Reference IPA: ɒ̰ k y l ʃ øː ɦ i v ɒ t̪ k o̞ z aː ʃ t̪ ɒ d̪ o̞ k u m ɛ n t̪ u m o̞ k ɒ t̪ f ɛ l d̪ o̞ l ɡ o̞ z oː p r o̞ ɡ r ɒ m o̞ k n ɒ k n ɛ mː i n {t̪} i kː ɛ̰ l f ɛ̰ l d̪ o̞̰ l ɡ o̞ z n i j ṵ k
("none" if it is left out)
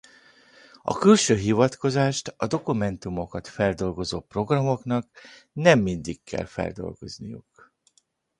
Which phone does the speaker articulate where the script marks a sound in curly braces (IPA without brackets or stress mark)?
d̪